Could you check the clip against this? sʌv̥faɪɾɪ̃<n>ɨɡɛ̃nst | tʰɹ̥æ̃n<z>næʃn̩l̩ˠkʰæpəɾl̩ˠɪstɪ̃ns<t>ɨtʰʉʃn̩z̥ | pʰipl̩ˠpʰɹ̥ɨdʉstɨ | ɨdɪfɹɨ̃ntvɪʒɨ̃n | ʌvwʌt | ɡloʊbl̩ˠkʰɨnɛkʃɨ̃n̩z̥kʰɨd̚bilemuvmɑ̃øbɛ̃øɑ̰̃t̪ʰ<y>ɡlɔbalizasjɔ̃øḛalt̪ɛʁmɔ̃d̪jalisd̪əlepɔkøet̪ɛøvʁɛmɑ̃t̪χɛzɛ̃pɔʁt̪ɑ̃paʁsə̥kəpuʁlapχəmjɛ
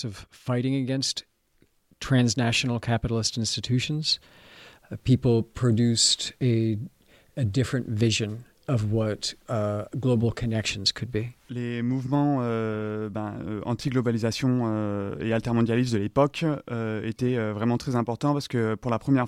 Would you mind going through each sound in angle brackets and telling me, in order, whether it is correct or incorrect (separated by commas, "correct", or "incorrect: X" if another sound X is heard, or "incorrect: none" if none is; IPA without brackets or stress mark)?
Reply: incorrect: ŋ, correct, correct, incorrect: i